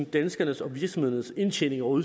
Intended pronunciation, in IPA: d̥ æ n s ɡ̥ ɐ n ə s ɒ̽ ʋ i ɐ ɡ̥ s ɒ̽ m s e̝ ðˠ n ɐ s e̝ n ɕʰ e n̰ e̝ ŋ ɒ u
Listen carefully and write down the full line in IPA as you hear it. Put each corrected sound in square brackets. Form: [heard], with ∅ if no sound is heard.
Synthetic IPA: d̥ æ n s ɡ̥ ɐ n ə s ɒ̽ ʋ i ɐ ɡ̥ s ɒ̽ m [h] e̝ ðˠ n [ə] s e̝ n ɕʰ e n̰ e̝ ŋ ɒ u